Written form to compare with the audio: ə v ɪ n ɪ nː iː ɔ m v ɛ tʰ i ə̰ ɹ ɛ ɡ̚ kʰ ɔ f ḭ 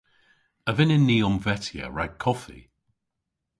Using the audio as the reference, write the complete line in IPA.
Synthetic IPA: ə v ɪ n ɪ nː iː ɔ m v ɛ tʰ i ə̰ ɹ a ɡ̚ kʰ ɔ f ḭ